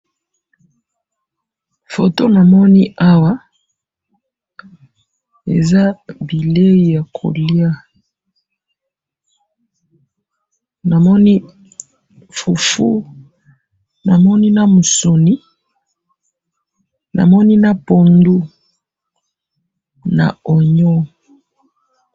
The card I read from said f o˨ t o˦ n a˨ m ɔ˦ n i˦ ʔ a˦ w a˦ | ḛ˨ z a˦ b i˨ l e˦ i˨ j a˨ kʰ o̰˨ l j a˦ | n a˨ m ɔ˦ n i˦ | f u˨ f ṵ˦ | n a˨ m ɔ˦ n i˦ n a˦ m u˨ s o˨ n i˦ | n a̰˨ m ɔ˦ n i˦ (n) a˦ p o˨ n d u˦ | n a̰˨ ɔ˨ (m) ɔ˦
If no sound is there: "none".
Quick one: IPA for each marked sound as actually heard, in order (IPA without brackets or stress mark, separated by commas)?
n, ɲ